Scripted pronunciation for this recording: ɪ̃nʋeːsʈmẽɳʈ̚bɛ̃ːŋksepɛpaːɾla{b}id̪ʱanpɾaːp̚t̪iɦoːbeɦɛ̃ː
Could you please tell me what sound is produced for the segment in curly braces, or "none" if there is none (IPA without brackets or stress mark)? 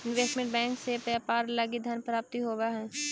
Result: ɡ